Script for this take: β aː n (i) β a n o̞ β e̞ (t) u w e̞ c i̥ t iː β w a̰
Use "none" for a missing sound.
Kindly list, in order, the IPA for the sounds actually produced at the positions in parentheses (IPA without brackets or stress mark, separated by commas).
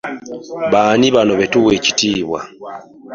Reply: i, t